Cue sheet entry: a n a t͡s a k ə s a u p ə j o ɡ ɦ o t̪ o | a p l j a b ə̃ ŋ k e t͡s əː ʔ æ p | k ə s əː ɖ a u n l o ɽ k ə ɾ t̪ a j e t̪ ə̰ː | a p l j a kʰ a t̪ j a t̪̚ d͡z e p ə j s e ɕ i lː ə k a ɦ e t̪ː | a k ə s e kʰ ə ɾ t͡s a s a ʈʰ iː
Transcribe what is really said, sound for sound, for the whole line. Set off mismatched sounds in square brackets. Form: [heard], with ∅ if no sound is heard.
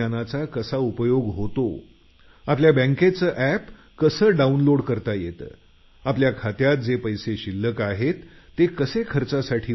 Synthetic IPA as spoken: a n a t͡s a k ə s a u p ə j o ɡ ɦ o t̪ o | a p l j a b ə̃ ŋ k e t͡s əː ʔ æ p | k ə s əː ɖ a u n l o ɽ k ə ɾ t̪ a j e t̪ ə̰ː | a p l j a kʰ a t̪ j a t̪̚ d͡z e p ə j s e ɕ i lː ə k a ɦ e t̪ː | [e] k ə s e kʰ ə ɾ t͡s a s a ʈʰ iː